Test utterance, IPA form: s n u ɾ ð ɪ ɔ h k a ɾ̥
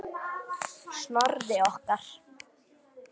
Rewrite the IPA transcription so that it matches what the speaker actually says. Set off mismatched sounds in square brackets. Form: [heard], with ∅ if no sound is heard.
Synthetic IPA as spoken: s n [ɔ] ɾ ð ɪ ɔ h k a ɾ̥

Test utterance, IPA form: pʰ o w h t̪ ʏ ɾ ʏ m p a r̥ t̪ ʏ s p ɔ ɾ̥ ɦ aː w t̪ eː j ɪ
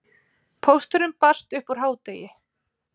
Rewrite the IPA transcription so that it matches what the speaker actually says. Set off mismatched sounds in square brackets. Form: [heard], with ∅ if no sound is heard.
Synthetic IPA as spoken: pʰ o w [s] t̪ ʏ ɾ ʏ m p a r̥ t̪ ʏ [h] p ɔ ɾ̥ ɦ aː w t̪ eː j ɪ

